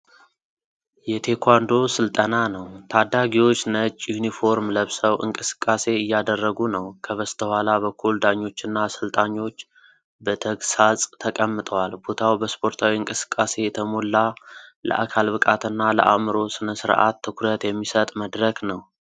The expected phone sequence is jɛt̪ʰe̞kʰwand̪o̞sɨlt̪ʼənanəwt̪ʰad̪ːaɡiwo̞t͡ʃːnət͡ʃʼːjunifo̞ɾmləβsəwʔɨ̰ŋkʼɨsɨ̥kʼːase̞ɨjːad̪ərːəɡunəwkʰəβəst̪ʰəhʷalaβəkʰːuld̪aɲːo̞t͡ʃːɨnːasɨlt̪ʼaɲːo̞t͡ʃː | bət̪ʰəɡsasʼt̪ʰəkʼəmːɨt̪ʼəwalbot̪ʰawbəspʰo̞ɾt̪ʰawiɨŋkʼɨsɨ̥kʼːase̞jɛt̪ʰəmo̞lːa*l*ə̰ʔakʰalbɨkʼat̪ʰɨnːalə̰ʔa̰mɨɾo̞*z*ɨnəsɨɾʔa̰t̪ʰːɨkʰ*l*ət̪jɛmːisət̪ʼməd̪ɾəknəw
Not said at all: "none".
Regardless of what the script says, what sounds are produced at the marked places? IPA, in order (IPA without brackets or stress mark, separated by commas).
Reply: l, s, ɾ